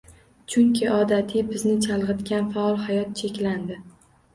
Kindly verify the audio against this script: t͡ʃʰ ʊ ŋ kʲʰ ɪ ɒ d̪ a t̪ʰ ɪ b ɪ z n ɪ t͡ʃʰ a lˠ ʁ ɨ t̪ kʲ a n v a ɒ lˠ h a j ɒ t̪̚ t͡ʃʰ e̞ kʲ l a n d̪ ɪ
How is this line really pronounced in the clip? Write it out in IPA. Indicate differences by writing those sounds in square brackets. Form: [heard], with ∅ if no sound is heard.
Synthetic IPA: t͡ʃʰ ʊ ŋ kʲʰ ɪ ɒ d̪ a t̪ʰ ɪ b ɪ z n ɪ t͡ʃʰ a lˠ ʁ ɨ t̪ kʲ a n [f] a ɒ lˠ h a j ɒ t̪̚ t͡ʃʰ e̞ kʲ l a n d̪ ɪ